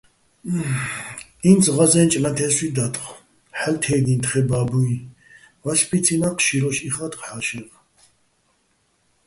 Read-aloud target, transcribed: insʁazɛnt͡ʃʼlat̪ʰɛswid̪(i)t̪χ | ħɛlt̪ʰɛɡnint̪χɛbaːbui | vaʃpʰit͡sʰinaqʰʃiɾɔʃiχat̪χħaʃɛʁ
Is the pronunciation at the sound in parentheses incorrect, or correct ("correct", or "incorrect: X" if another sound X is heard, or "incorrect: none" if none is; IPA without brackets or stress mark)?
incorrect: a